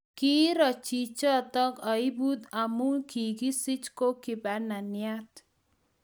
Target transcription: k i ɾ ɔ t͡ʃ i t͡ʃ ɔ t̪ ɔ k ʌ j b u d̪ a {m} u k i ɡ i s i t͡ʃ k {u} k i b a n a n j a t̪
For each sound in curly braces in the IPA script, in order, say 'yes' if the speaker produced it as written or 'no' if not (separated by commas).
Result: yes, no